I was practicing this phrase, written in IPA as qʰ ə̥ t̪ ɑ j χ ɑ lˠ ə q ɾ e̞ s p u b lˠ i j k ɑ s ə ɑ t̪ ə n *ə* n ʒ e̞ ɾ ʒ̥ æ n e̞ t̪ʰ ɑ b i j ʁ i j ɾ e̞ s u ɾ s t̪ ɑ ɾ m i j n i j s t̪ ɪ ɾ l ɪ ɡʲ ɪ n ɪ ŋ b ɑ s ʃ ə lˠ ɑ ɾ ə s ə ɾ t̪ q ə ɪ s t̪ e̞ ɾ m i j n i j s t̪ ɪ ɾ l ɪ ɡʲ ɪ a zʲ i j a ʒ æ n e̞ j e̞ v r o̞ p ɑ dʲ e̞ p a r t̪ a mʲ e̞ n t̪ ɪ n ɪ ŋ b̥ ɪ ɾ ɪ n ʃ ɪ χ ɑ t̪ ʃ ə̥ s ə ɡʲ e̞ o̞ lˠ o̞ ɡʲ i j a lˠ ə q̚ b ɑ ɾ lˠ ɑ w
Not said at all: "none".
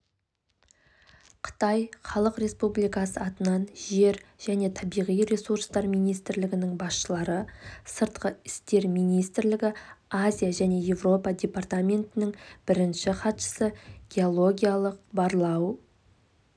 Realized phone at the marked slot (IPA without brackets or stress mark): ɑ